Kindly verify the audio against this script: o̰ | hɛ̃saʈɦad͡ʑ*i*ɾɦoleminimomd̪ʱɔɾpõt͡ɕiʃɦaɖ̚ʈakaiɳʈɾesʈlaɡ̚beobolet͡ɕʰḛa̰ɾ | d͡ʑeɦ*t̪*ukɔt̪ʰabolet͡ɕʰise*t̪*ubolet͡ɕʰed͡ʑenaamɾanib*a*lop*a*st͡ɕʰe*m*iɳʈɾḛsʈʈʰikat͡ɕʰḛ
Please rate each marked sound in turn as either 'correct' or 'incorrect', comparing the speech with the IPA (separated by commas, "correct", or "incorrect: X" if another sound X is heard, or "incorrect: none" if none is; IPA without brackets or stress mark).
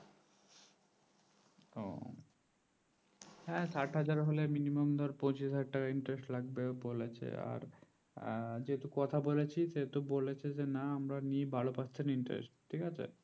incorrect: a, correct, correct, correct, correct, incorrect: n